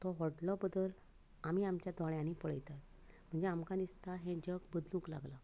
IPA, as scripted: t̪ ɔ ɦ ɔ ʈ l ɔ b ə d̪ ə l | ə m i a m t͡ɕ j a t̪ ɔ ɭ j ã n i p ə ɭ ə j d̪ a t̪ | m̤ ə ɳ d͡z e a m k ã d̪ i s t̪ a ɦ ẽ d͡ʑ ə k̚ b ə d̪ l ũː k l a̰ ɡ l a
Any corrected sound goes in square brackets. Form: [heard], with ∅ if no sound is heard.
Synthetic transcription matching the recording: t̪ ɔ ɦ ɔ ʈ l ɔ b ə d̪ ə l | [a] m i a m t͡ɕ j a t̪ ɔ ɭ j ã n i p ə ɭ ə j [t̪] a t̪ | m̤ ə ɳ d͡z e a m k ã d̪ i s t̪ a ɦ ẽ d͡ʑ ə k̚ b ə d̪ l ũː k l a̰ ɡ l a